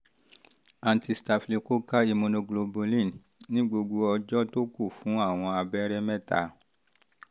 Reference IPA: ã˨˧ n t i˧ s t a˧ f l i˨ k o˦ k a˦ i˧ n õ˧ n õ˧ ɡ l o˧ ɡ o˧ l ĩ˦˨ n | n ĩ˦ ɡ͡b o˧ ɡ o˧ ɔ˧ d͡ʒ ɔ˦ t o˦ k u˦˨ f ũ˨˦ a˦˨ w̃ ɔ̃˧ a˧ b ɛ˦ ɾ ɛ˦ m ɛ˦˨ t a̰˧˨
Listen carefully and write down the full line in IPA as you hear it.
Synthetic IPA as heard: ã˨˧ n t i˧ s t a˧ f l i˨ k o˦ k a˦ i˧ m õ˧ n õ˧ ɡ l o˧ b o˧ l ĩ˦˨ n | n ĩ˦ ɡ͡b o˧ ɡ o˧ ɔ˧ d͡ʒ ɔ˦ t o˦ k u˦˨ f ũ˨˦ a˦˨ w̃ ɔ̃˧ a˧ b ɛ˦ ɾ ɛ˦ m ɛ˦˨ t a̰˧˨

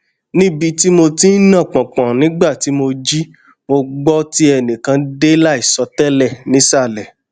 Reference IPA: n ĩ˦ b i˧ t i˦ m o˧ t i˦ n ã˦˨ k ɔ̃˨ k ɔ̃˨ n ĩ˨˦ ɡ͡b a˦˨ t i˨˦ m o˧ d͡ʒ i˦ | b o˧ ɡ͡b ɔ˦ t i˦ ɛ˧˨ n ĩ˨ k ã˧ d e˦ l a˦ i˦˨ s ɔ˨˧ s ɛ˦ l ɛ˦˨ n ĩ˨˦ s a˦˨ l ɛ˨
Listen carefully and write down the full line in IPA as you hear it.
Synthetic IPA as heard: n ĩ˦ b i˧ t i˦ m o˧ t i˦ n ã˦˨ k͡p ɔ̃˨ k͡p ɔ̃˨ n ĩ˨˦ ɡ͡b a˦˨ t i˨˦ m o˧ d͡ʒ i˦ | m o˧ ɡ͡b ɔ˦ t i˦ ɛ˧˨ n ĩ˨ k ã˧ d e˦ l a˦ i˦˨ s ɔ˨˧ t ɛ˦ l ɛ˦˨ n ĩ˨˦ s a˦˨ l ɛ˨

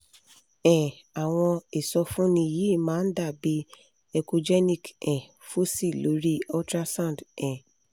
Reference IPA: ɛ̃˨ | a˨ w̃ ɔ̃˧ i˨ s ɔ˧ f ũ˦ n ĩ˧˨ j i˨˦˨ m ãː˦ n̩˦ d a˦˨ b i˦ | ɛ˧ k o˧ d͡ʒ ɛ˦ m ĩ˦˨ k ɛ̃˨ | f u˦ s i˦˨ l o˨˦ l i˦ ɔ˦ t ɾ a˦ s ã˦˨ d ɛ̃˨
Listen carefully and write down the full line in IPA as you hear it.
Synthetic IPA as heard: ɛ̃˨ | a˨ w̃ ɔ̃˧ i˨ s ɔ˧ f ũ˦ n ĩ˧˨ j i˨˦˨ m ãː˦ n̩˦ d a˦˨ b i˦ | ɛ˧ k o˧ d͡ʒ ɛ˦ n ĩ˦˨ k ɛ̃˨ | f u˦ s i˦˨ l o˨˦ ɾ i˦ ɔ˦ t ɾ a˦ s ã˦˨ d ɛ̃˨

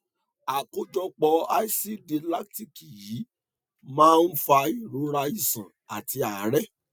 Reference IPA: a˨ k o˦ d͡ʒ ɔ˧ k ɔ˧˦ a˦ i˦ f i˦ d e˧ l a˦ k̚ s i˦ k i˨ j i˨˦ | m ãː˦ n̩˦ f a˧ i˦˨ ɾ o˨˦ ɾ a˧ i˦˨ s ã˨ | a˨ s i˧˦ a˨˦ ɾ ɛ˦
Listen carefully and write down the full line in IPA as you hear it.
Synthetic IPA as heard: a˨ k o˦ d͡ʒ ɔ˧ k͡p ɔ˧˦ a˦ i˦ s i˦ d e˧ l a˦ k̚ t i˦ k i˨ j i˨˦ | m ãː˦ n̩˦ f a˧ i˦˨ ɾ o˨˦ ɾ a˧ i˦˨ s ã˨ | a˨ t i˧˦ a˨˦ ɾ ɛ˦

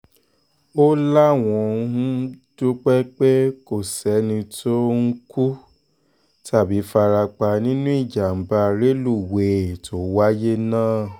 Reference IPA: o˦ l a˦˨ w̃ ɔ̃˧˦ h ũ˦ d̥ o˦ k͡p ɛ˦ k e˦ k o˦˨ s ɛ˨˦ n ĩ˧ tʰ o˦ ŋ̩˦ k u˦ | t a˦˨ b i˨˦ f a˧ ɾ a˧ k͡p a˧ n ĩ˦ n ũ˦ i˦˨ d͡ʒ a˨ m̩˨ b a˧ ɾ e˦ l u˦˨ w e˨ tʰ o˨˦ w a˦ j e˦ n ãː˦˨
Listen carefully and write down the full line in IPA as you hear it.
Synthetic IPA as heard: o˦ l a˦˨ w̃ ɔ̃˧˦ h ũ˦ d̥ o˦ k͡p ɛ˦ k͡p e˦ k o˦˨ s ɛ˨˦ n ĩ˧ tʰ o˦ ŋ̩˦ k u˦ | t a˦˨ b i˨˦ f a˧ ɾ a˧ k͡p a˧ n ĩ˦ n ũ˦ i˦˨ d͡ʒ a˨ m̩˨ b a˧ ɾ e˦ l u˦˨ w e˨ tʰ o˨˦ w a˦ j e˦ n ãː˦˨

